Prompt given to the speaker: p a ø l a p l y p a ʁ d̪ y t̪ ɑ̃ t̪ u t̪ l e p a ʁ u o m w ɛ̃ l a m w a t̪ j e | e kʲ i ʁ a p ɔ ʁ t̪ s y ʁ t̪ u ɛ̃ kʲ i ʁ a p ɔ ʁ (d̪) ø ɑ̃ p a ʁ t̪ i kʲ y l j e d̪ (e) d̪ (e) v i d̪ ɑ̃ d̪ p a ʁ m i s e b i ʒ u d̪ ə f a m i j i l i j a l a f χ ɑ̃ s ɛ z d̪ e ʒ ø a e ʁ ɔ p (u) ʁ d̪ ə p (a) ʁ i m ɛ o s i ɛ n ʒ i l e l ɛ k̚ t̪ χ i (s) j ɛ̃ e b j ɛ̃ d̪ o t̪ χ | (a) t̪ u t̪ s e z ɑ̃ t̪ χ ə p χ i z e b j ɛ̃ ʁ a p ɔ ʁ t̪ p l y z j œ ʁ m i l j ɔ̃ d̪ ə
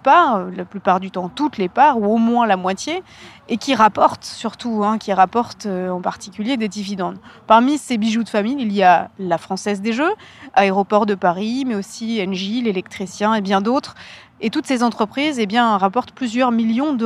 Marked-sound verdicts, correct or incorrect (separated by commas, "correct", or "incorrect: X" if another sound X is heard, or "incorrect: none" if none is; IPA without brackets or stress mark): incorrect: t̪, correct, incorrect: i, incorrect: ɔ, correct, correct, incorrect: e